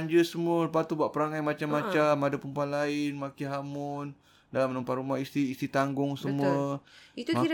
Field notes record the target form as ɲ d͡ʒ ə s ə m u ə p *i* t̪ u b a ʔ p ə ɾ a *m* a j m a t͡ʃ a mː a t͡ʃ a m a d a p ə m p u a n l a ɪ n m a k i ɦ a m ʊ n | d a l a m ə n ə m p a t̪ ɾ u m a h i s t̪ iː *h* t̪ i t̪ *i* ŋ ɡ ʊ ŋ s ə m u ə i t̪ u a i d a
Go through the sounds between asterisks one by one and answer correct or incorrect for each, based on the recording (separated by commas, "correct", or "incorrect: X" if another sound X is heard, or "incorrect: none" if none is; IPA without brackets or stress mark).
incorrect: a, incorrect: ŋ, incorrect: s, incorrect: a